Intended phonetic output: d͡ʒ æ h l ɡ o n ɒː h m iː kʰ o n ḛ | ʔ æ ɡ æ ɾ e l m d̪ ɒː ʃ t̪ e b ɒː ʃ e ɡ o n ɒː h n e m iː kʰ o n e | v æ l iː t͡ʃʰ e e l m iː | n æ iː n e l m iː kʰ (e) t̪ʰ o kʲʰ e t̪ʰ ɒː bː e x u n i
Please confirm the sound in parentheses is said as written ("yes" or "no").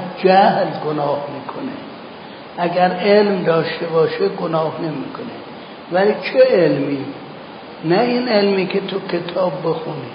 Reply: yes